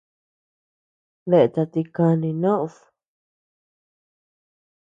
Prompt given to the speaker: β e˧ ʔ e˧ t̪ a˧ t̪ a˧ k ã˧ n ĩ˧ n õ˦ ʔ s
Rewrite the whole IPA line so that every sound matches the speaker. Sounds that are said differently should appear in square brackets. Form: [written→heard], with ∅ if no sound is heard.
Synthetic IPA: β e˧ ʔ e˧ t̪ a˧ t̪ [a˧→i˧] k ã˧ n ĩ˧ n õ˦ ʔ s